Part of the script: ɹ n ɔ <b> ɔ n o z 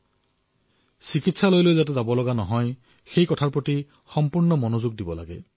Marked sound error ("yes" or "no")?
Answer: yes